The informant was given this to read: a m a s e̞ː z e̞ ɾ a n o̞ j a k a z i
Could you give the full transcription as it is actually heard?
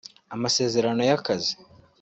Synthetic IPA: a m a s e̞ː z e̞ ɾ a n o̞ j a k a z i

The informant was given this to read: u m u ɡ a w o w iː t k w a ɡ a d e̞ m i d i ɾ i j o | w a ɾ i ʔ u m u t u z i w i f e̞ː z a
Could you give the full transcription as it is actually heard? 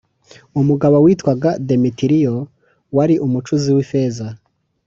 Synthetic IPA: u m u ɡ a β o w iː t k w a ɡ a d e̞ m i t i ɾ i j o | w a ɾ i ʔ u m u t͡ʃ u z i w i f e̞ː z a

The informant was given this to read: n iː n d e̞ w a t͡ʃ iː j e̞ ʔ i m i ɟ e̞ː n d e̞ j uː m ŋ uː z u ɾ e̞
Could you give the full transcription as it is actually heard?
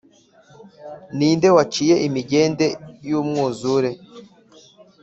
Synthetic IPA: n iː n d e̞ w a t͡ʃ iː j e̞ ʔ i m i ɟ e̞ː n d e̞ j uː m ŋ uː z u ɾ e̞

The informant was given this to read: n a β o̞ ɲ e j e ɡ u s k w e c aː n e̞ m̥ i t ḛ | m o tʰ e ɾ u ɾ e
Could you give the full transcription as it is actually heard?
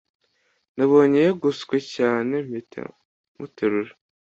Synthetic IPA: n a β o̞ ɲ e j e ɡ u s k w e c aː n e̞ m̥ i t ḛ | m u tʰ e ɾ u ɾ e

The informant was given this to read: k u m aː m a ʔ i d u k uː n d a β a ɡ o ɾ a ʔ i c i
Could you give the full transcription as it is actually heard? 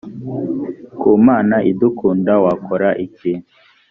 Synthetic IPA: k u m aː n a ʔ i d u k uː n d a w a k o ɾ a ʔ i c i

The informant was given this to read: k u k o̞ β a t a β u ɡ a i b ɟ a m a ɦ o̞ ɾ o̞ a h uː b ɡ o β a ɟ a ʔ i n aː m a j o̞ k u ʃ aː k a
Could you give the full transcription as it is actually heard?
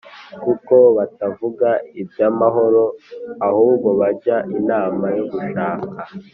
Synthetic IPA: k u k o̞ β a t a v u ɡ a i b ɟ a m a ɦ o̞ ɾ o̞ a h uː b ɡ o β a ɟ a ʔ i n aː m a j o̞ ɡ u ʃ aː k a

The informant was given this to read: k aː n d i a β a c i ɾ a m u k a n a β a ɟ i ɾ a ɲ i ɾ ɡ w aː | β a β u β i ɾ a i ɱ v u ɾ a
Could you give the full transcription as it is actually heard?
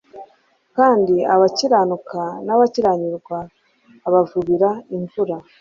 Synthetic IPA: k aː n d i a β a c i ɾ a n u k a n a β a c i ɾ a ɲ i ɾ ɡ w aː | β a v u β i ɾ a i ɱ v u ɾ a

